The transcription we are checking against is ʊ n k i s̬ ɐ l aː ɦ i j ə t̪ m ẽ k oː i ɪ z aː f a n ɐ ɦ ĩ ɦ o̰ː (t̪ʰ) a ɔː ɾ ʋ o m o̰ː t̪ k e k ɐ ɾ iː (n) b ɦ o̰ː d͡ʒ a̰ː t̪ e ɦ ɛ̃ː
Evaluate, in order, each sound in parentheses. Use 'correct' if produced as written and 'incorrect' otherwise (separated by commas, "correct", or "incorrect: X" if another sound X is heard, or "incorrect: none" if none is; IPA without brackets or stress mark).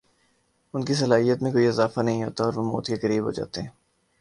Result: incorrect: t̪, incorrect: none